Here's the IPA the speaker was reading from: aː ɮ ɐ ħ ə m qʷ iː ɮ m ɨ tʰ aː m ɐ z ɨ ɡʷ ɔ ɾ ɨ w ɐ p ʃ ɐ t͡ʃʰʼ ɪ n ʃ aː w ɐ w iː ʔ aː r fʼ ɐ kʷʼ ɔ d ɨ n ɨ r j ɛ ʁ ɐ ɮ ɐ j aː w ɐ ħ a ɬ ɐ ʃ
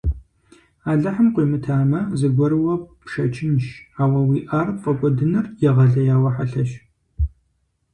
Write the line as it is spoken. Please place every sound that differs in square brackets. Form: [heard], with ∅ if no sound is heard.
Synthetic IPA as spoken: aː ɮ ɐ ħ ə m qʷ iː [∅] m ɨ tʰ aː m ɐ z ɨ ɡʷ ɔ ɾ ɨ w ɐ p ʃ ɐ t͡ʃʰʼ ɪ n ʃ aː w ɐ w iː ʔ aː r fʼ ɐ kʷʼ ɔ d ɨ n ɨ r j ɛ ʁ ɐ ɮ ɐ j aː w ɐ ħ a ɬ ɐ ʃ